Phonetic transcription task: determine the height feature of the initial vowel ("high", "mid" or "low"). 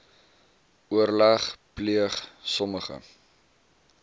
high